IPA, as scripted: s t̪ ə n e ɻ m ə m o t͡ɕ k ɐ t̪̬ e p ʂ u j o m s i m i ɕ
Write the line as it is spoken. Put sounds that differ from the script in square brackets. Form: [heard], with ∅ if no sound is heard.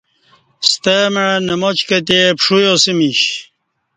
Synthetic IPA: s t̪ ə [m] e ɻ [n] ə m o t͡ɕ k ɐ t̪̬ e p ʂ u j o [∅] s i m i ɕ